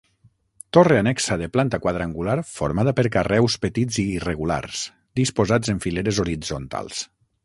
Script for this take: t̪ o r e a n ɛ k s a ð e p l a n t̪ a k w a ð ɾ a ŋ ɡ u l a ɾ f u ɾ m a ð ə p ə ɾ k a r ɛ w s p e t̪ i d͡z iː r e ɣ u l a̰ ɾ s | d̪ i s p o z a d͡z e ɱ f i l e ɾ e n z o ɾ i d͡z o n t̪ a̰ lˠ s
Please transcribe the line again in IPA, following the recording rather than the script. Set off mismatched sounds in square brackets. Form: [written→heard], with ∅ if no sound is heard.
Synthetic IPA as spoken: t̪ o r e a n ɛ k s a ð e p l a n t̪ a k w a ð ɾ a ŋ ɡ u l a ɾ f [u→o] ɾ m a ð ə p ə ɾ k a r ɛ w s p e t̪ i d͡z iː r e ɣ u l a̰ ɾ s | d̪ i s p o z a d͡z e ɱ f i l e ɾ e [n→∅] z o ɾ i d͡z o n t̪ a̰ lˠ s